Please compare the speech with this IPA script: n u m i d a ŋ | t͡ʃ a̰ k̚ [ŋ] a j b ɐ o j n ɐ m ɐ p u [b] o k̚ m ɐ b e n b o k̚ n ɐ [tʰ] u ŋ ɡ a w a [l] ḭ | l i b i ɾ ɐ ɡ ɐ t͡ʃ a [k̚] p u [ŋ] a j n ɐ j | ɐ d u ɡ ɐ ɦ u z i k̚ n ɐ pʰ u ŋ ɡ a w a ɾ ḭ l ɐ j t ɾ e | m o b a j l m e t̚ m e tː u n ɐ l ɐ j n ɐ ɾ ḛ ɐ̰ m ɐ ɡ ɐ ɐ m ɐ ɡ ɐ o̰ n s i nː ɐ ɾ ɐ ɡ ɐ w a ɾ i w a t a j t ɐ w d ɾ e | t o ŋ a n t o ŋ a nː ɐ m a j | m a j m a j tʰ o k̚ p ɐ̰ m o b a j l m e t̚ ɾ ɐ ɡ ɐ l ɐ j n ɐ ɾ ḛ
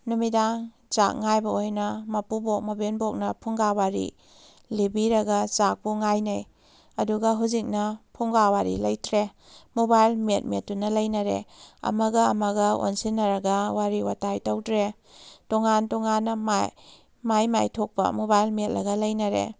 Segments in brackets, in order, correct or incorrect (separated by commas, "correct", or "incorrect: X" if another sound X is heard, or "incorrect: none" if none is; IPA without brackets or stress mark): correct, correct, incorrect: pʰ, incorrect: ɾ, correct, correct